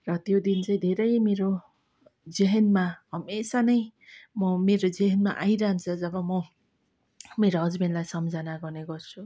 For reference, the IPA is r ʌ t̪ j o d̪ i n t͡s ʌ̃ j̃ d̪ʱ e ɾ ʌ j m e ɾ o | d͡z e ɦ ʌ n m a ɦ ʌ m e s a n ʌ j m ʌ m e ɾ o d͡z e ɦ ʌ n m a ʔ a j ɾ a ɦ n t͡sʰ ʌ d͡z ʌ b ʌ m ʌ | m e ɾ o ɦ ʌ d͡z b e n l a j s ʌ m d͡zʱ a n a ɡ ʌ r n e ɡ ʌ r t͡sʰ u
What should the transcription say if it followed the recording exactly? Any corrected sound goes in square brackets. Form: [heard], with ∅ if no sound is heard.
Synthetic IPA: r ʌ t̪ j o d̪ i n t͡s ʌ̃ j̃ d̪ʱ e ɾ ʌ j m e ɾ o | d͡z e ɦ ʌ n m a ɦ ʌ m e s a n ʌ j m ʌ m e ɾ o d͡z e ɦ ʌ n m a ʔ a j ɾ a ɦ n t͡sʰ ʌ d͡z ʌ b ʌ m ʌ | m e ɾ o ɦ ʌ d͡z b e n l a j s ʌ m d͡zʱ a n a ɡ ʌ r n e ɡ ʌ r t͡sʰ u